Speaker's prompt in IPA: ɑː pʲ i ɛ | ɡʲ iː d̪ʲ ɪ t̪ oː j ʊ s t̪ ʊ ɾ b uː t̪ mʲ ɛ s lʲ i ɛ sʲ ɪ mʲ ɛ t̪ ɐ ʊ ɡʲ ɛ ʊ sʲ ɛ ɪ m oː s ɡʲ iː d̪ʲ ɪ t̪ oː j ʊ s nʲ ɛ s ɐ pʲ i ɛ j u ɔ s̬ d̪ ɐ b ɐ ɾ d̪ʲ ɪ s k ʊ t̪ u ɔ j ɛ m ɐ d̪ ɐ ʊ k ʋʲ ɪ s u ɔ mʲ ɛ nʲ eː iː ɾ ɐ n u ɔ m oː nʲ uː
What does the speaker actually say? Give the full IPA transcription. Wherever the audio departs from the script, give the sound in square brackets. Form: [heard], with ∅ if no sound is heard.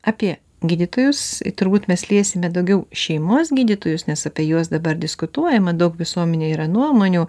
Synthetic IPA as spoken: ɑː pʲ i ɛ | ɡʲ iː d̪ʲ ɪ t̪ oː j ʊ s t̪ ʊ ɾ b uː t̪ mʲ ɛ s lʲ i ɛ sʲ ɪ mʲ ɛ [d̪] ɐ ʊ ɡʲ ɛ ʊ [ʃʲ] ɛ ɪ m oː s ɡʲ iː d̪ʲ ɪ t̪ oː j ʊ s nʲ ɛ s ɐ pʲ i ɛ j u ɔ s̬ d̪ ɐ b ɐ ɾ d̪ʲ ɪ s k ʊ t̪ u ɔ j ɛ m ɐ d̪ ɐ ʊ k ʋʲ ɪ s u ɔ mʲ ɛ nʲ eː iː ɾ ɐ n u ɔ m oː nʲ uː